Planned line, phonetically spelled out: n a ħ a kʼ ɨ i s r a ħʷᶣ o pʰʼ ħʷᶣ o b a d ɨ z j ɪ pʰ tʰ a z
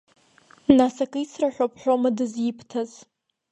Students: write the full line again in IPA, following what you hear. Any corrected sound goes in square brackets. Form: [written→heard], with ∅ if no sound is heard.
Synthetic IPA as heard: n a [ħ→s] a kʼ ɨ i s r a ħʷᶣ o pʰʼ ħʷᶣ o [b→m] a d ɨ z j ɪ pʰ tʰ a z